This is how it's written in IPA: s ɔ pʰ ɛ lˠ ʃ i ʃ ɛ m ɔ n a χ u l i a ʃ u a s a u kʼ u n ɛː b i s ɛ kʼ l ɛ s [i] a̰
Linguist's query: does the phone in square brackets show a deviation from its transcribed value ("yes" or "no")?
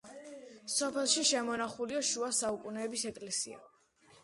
no